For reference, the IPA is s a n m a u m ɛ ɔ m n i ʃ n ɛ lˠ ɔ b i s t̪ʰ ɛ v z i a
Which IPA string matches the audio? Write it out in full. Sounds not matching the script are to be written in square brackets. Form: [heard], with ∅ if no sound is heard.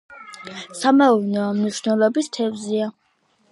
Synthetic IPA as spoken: s a [∅] m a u [n] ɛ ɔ m n i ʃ n ɛ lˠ ɔ b i s t̪ʰ ɛ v z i a